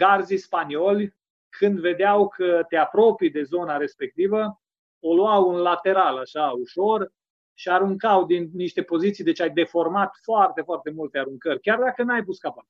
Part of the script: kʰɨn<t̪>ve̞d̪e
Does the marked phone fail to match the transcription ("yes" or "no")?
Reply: yes